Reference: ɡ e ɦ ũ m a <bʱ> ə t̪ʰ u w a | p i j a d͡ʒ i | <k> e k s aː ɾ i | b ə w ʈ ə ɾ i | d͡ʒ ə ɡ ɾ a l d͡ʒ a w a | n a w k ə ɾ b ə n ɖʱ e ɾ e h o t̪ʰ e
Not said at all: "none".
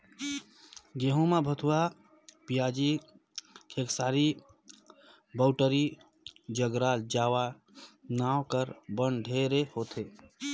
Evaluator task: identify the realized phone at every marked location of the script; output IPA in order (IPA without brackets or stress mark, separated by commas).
bʱ, kʰ